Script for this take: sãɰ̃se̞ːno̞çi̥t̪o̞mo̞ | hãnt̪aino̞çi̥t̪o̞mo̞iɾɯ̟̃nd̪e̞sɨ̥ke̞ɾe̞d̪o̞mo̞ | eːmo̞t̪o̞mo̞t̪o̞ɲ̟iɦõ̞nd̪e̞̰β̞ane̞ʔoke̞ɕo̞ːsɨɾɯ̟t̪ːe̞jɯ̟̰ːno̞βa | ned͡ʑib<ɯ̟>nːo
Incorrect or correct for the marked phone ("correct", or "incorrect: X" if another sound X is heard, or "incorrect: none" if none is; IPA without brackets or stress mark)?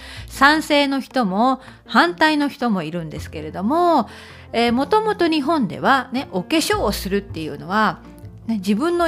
incorrect: ɯ̟̃